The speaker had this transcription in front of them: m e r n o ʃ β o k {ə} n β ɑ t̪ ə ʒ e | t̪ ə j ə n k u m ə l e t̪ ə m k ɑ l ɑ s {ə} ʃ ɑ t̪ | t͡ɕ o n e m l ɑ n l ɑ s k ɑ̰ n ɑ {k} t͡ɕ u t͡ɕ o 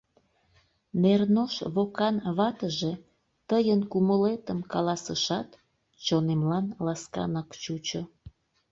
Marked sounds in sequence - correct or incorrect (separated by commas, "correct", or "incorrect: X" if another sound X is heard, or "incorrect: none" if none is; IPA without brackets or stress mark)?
incorrect: ɑ, correct, correct